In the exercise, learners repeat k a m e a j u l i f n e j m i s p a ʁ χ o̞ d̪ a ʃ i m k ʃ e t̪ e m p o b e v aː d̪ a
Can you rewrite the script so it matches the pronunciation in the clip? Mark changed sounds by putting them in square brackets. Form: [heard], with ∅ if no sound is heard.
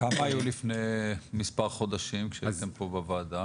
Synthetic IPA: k a m [a] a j u l i f n e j m i s p a ʁ χ o̞ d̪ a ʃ i m k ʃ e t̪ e m p o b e v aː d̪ a